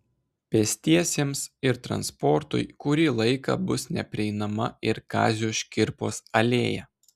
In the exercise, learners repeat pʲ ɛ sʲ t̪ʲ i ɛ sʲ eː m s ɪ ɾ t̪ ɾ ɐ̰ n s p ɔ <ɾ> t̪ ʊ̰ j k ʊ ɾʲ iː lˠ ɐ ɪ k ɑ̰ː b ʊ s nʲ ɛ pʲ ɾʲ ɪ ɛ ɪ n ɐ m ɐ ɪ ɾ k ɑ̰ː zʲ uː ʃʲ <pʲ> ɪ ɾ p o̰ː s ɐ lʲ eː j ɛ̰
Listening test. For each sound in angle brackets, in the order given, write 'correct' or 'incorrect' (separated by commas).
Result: correct, incorrect